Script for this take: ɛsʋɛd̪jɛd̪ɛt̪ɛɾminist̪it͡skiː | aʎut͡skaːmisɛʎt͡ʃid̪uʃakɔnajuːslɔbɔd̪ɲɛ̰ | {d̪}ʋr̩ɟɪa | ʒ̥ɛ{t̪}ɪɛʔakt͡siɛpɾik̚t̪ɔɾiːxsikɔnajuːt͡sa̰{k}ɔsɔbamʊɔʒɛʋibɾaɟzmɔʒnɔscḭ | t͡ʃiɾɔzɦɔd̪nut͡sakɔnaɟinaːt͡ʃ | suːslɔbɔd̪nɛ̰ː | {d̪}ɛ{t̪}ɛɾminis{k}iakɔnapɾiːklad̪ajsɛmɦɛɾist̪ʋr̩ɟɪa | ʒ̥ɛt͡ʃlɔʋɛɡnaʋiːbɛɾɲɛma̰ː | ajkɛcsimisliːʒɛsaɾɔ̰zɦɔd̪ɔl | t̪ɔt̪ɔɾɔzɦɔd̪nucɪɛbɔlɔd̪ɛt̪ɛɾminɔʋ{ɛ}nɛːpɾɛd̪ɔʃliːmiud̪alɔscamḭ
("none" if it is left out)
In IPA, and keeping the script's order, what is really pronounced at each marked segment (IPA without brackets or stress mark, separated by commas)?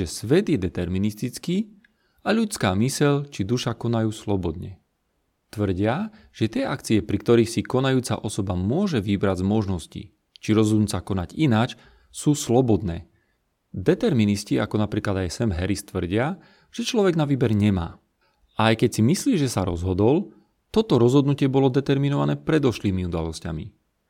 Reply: t̪, t̪, ʔ, d̪, t̪, c, a